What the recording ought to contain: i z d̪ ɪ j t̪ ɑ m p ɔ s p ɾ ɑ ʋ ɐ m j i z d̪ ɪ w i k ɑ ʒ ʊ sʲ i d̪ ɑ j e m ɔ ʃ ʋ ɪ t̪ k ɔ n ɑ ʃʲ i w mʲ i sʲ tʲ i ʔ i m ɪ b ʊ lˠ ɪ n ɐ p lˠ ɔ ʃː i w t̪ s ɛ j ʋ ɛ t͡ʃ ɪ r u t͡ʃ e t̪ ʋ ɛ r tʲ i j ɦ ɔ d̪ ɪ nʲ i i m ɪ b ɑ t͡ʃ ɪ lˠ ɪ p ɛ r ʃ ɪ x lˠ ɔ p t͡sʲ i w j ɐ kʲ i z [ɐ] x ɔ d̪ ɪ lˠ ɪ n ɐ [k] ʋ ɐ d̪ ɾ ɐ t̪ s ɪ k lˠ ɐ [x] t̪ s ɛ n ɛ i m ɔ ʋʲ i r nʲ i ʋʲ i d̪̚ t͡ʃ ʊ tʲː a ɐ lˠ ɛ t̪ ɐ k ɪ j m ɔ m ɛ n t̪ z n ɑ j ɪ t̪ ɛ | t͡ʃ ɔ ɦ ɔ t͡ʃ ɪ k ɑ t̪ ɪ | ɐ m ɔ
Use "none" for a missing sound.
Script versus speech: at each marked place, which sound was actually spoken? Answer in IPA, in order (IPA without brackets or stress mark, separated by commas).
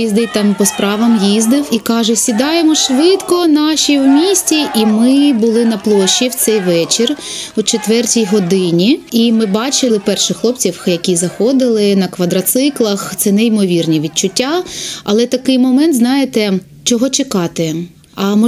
ɐ, k, x